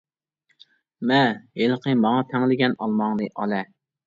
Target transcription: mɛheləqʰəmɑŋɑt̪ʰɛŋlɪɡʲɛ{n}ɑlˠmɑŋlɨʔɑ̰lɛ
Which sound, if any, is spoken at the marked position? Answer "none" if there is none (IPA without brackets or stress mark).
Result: n